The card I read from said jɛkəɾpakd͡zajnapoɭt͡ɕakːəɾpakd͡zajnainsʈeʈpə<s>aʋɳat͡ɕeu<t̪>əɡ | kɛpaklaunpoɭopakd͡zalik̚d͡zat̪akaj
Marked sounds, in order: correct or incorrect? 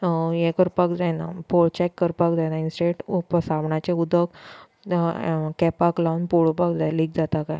correct, incorrect

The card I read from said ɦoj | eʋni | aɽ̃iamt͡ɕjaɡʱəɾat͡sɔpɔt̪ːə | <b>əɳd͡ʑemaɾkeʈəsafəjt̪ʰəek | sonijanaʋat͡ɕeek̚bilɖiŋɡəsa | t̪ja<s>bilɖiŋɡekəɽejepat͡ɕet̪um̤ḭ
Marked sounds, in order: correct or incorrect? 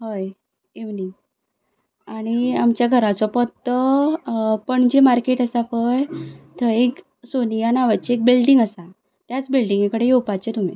incorrect, incorrect

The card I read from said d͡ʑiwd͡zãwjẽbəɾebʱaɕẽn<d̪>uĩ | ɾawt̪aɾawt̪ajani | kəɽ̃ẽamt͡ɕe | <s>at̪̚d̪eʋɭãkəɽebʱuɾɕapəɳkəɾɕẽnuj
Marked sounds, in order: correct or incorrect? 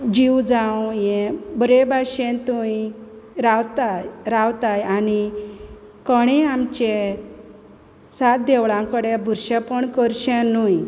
incorrect, correct

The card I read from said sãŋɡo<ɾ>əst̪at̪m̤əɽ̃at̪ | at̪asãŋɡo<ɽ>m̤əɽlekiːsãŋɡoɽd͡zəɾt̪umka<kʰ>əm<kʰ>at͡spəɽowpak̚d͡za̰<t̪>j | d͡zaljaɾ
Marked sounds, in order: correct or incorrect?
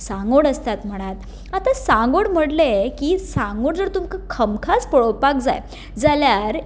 incorrect, correct, correct, correct, incorrect

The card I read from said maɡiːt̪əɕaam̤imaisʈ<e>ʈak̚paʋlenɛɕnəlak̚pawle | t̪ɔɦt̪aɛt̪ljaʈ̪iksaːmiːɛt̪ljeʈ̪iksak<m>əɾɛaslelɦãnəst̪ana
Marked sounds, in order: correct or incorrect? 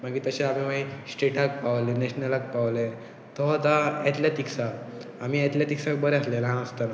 correct, incorrect

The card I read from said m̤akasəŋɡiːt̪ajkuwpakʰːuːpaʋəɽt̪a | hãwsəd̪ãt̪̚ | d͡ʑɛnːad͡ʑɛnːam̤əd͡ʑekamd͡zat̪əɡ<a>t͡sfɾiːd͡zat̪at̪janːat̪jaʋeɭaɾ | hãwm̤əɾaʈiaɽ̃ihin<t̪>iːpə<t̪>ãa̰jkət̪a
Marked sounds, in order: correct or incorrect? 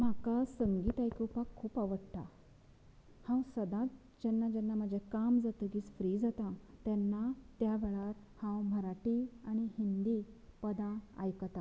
incorrect, incorrect, incorrect

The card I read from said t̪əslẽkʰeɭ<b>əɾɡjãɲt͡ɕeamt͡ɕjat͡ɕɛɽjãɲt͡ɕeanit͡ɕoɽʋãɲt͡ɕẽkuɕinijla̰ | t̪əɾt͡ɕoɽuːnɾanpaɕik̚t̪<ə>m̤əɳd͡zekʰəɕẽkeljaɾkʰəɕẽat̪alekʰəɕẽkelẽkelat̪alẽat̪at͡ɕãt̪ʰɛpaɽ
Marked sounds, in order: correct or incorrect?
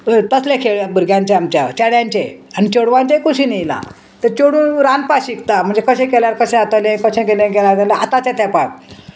correct, incorrect

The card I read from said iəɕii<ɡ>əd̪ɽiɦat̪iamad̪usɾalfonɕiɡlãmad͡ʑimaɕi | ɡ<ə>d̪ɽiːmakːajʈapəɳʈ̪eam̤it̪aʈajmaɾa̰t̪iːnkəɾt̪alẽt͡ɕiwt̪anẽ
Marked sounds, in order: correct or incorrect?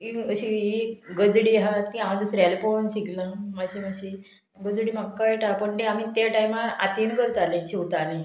correct, correct

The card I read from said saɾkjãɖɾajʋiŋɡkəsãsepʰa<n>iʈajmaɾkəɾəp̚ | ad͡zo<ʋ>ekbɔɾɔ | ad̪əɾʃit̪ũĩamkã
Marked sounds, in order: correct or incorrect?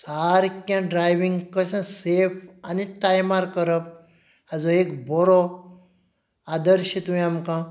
correct, incorrect

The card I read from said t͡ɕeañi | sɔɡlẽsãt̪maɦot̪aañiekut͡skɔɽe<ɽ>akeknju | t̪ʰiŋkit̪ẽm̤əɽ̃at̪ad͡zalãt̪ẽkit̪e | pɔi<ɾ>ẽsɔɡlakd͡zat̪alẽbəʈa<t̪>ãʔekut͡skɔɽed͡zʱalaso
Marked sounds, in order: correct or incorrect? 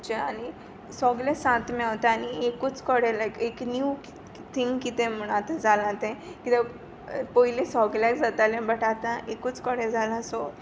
incorrect, incorrect, correct

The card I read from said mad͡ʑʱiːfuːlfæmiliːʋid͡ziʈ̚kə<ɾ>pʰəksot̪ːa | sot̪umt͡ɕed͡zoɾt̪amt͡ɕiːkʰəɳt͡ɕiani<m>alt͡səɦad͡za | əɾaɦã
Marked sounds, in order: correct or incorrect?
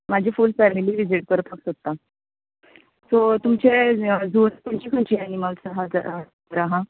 correct, correct

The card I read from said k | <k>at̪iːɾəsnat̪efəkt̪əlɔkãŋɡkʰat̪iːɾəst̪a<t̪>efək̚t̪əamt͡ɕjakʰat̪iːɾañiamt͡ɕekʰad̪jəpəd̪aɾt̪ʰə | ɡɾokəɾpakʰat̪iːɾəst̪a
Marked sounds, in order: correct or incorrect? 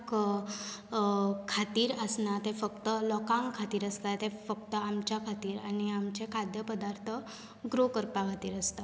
incorrect, correct

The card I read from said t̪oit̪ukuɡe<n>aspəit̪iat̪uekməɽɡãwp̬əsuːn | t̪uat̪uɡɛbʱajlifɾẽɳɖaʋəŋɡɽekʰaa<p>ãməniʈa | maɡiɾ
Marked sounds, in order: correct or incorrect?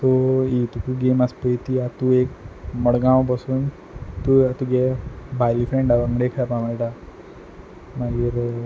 incorrect, correct

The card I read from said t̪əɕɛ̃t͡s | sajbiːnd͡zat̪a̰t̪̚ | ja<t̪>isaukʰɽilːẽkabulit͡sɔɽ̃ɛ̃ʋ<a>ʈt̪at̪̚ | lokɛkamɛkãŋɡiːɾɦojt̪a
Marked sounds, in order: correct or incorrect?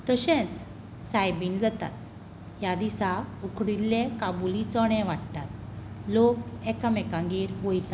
incorrect, correct

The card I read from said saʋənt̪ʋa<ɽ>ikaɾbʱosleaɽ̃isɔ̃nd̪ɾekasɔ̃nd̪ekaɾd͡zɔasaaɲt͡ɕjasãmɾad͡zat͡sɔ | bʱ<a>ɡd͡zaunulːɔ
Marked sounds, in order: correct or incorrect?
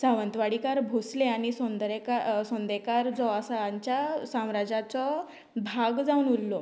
correct, correct

